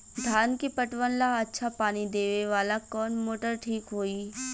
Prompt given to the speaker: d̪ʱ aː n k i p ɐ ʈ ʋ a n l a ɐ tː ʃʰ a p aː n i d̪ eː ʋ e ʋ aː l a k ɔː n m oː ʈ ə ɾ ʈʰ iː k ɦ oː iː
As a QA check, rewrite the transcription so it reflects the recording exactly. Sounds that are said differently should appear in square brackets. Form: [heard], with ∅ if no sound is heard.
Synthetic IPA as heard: d̪ʱ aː n k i p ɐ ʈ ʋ [ə] n l a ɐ tː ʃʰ a p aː n i d̪ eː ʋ e ʋ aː l a k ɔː n m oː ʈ ə ɾ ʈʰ iː k ɦ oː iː